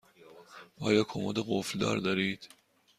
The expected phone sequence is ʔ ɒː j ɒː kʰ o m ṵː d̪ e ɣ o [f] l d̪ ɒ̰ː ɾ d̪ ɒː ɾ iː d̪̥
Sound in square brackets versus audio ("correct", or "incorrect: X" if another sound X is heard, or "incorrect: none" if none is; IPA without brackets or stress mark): correct